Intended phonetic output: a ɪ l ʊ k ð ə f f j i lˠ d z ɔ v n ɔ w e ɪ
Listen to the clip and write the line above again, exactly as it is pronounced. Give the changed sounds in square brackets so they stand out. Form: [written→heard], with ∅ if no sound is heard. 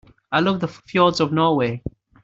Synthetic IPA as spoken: a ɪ l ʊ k ð ə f f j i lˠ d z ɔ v n ɔ w e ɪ